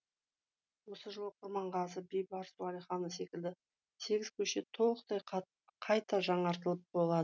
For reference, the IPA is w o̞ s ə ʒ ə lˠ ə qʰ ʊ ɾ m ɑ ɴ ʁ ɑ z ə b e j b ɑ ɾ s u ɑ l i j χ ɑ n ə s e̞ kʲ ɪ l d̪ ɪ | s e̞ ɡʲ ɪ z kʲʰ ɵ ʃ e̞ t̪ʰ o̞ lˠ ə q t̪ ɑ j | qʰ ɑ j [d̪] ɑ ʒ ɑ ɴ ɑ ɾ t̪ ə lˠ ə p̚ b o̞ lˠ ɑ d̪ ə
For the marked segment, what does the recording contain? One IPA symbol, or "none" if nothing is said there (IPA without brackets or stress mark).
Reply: t̪